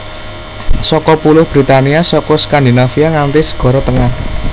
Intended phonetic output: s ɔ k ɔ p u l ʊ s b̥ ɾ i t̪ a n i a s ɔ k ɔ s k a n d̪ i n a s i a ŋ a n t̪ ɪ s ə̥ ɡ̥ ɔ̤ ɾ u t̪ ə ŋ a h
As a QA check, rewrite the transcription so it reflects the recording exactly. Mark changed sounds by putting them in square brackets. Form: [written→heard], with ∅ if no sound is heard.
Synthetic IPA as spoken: s ɔ k ɔ p u l ʊ [s→h] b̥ ɾ i t̪ a n i a s ɔ k ɔ s k a n d̪ i n a [s→f] i a ŋ a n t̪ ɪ s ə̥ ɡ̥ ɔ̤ ɾ [u→ɔ] t̪ ə ŋ a h